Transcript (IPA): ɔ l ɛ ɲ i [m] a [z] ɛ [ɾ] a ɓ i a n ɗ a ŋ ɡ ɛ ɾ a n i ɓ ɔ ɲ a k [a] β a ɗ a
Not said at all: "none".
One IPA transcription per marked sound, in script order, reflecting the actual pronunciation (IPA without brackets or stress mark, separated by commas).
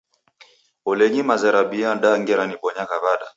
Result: m, z, ɾ, a